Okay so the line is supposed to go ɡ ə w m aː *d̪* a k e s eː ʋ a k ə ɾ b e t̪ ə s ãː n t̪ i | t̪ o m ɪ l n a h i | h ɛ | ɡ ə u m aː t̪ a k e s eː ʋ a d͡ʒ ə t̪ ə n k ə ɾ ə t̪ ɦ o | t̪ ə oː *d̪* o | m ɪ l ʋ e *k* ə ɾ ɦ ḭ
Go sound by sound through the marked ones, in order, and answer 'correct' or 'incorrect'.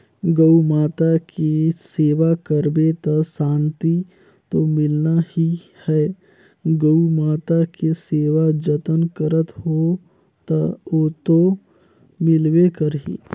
incorrect: t̪, incorrect: t̪, correct

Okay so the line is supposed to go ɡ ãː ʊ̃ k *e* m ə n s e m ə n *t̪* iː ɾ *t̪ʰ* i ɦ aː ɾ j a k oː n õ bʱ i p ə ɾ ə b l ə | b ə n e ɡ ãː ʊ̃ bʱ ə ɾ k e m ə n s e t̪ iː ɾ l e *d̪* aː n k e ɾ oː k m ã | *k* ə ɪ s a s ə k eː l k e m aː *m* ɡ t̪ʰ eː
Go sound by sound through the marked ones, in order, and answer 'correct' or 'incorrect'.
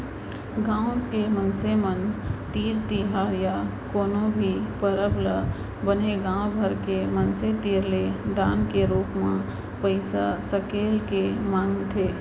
correct, correct, incorrect: t̪, correct, incorrect: p, incorrect: ŋ

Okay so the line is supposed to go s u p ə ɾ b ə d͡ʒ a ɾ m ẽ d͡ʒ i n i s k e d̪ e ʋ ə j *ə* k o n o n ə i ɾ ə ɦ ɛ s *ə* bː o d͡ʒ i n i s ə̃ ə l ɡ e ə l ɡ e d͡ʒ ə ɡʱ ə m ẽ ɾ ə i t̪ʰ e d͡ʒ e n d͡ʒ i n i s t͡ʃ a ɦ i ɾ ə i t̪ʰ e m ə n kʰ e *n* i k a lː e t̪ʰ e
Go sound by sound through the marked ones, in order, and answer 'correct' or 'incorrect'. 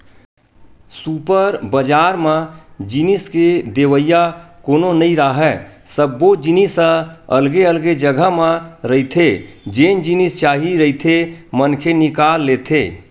incorrect: a, correct, correct

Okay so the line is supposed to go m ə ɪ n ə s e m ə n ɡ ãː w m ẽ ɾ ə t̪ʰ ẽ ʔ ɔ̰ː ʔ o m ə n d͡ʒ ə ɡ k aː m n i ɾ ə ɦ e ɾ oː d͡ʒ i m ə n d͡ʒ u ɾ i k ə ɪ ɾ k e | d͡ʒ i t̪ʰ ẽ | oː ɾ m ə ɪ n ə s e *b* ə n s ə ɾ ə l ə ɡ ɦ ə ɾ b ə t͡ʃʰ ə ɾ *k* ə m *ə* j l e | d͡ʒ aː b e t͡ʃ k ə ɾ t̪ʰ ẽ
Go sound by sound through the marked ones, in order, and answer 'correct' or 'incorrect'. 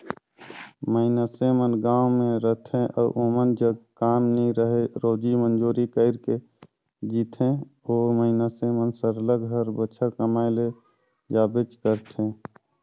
incorrect: m, correct, incorrect: a

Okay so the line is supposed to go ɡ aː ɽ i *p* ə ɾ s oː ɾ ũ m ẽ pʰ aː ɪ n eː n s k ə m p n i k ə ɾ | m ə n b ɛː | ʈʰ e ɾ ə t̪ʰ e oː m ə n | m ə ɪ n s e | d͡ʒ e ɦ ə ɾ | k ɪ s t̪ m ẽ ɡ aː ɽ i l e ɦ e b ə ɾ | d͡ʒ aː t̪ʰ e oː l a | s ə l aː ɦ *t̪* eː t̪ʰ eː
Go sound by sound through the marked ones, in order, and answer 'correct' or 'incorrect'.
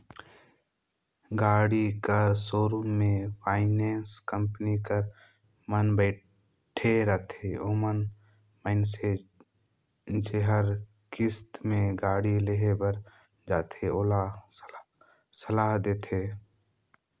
incorrect: k, incorrect: d̪

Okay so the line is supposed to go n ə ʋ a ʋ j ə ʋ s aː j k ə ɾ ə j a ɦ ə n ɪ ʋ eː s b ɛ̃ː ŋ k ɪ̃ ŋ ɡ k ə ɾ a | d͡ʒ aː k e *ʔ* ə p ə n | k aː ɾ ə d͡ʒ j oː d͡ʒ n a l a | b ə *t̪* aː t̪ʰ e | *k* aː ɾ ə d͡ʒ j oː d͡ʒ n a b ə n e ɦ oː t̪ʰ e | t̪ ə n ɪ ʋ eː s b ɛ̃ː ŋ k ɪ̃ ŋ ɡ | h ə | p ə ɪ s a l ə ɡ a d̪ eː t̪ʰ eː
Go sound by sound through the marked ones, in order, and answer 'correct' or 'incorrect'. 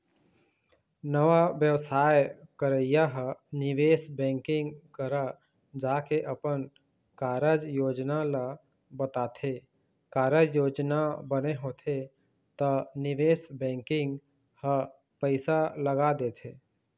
correct, correct, correct

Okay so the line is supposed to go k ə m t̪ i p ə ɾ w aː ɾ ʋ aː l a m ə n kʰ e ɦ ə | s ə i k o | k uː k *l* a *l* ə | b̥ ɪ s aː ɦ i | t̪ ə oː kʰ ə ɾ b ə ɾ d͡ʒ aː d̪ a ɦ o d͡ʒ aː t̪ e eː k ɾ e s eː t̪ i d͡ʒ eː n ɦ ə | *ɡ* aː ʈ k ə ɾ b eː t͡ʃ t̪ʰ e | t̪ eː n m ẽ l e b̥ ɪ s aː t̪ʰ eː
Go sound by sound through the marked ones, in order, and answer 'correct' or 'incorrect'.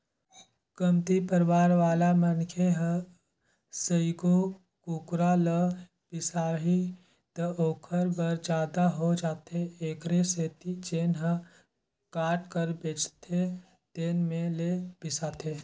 incorrect: ɾ, correct, incorrect: k

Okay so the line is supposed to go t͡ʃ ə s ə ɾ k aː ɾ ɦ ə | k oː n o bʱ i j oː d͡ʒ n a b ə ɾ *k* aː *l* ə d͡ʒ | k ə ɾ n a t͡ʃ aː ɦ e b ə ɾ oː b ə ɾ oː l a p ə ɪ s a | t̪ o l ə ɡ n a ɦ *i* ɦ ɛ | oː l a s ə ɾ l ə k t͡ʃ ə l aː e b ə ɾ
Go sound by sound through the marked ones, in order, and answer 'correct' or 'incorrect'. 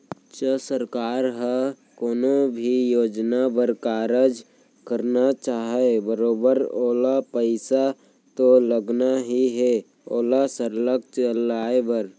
correct, incorrect: ɾ, correct

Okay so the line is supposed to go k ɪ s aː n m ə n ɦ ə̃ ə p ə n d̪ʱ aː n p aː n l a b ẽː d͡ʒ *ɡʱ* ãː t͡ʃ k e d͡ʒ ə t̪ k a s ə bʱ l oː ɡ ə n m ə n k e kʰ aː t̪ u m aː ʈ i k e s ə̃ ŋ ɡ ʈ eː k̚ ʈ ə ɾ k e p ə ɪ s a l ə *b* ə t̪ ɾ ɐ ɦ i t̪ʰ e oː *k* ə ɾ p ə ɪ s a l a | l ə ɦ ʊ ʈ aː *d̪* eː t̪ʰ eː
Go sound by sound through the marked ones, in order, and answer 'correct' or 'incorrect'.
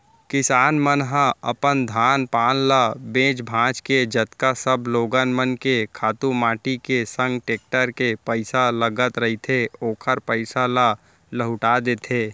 incorrect: bʱ, incorrect: ɡ, incorrect: kʰ, correct

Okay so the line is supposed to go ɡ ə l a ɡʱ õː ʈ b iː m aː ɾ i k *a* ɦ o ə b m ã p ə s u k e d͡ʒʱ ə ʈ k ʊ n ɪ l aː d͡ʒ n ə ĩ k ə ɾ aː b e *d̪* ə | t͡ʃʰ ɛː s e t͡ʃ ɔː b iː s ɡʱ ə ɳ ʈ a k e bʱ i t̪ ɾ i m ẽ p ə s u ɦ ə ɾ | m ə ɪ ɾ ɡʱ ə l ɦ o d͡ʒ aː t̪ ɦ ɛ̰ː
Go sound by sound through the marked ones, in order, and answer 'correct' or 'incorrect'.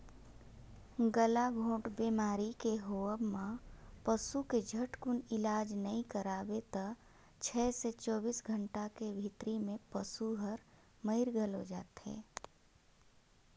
incorrect: e, incorrect: t̪

